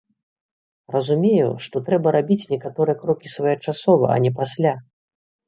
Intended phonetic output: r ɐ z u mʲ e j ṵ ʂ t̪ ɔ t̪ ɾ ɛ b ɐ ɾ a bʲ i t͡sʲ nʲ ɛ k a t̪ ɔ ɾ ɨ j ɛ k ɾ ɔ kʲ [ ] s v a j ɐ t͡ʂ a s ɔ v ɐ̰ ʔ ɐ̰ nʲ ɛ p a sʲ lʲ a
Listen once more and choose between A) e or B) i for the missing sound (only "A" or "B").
B